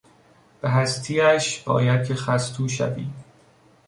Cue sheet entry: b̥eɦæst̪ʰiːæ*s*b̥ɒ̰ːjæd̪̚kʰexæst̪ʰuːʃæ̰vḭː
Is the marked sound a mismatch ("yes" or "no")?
yes